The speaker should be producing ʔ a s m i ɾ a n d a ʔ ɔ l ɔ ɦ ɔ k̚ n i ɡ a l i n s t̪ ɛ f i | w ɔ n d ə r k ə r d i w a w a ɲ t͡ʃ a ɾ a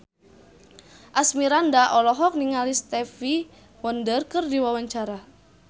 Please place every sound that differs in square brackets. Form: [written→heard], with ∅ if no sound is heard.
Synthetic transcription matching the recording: ʔ a s m i ɾ a n d a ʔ ɔ l ɔ ɦ ɔ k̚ n i [ɡ→ŋ] a l i [n→∅] s t̪ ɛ f i | w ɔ n d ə r k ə r d i w a w a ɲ t͡ʃ a ɾ a